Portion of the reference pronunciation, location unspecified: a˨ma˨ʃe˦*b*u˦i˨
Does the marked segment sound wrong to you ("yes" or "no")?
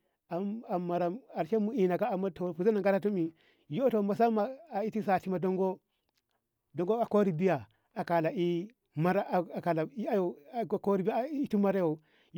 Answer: yes